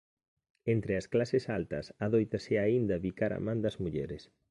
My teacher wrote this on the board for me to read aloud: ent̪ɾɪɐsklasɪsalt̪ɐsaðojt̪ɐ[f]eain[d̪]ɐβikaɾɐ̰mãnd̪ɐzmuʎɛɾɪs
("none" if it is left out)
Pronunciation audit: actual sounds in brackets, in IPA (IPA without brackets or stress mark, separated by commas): s, d̪